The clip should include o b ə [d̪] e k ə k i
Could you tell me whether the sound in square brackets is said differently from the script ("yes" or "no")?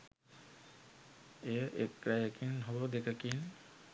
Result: no